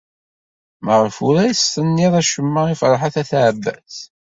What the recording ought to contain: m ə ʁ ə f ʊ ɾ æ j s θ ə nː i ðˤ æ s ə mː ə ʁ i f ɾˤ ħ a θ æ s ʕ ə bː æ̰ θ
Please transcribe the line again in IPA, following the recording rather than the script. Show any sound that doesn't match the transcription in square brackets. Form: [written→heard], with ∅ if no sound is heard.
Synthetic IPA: m ə ʁ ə f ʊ ɾ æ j s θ ə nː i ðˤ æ [s→ʃ] ə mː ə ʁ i f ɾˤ ħ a θ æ [s→θ] ʕ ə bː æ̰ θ

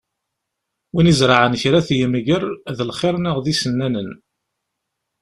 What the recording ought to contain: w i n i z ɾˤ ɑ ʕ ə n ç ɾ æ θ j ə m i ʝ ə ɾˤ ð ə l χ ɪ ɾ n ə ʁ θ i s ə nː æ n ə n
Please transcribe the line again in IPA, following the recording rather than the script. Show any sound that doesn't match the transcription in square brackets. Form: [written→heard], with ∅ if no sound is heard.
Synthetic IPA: w i n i z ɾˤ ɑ ʕ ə n ç ɾ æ θ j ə m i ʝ ə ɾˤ ð ə l χ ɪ ɾ n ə ʁ [θ→ð] i s ə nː æ n ə n

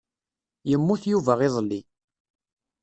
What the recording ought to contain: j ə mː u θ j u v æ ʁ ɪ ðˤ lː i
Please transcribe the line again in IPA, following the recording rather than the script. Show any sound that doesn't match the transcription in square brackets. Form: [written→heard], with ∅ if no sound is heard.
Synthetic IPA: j ə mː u θ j u v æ ʁ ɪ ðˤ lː i

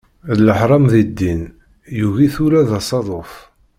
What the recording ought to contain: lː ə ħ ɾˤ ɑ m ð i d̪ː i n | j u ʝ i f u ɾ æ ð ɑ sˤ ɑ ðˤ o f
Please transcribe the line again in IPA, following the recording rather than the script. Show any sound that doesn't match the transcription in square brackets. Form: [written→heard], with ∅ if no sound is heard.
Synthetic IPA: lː ə ħ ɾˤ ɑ m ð i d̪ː i n | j u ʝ i [f→θ] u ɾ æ ð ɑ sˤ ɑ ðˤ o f

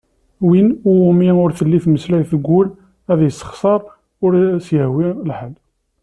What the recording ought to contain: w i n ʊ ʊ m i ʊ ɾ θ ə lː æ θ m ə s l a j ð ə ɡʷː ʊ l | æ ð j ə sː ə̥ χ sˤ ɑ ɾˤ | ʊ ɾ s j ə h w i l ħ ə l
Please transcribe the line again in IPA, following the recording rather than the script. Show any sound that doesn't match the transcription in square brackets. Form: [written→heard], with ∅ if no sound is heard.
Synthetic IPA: w i n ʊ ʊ m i ʊ ɾ θ ə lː [æ→i] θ m ə s l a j [ð→θ] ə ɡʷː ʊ l | æ ð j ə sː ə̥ χ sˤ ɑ ɾˤ | ʊ ɾ s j ə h w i l ħ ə l

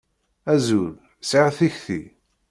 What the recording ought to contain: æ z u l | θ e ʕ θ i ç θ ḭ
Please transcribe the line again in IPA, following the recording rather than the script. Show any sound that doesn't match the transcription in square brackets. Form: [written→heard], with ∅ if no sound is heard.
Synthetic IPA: æ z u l | [θ→s] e [ʕ→ʁ] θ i ç θ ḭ

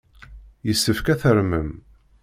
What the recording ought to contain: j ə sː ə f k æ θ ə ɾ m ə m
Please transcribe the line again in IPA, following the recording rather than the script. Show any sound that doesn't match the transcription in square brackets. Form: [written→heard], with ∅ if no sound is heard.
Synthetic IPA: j ə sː ə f k æ θ ə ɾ m ə m

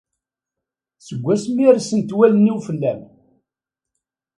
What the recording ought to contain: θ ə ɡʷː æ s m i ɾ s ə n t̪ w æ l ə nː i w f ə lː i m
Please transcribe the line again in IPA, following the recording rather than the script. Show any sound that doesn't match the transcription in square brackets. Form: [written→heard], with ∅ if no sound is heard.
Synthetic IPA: [θ→s] ə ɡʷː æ s m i ɾ s ə n t̪ w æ l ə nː i w f ə lː [i→æ] m

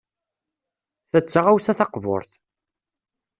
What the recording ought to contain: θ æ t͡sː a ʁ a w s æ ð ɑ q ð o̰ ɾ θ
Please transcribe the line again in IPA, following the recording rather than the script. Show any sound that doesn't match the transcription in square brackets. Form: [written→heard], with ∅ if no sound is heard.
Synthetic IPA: θ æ t͡sː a ʁ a w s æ [ð→θ] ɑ q [ð→v] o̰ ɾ θ

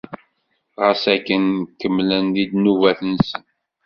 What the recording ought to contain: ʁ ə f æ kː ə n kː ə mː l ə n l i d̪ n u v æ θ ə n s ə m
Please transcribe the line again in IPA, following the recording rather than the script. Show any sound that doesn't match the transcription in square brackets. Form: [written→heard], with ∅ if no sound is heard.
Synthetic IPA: ʁ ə [f→s] æ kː ə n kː ə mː l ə n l i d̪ n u v æ θ ə n s ə [m→n]

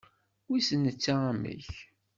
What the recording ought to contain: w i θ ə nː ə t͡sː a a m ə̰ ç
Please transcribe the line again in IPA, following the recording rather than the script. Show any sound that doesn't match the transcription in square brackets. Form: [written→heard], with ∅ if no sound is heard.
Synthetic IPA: w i [θ→s] ə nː ə t͡sː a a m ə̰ ç

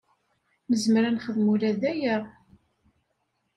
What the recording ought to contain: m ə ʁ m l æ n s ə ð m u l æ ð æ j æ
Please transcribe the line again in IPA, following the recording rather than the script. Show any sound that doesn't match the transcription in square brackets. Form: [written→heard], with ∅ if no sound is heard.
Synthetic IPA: m ə [ʁ→z] m [l→ɾ] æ n [s→χ] ə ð m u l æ ð æ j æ

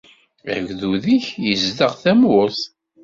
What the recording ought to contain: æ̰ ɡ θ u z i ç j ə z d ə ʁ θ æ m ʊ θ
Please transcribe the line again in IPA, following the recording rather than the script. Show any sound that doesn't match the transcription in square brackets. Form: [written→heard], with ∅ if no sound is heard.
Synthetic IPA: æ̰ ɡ [θ→ð] u [z→ð] i ç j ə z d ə ʁ θ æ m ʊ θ

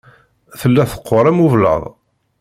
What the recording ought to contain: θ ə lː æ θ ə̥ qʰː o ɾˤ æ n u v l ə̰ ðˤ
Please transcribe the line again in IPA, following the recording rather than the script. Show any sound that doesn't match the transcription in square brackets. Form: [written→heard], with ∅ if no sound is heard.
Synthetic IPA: θ ə lː æ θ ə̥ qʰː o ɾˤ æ [n→m] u v l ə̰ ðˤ

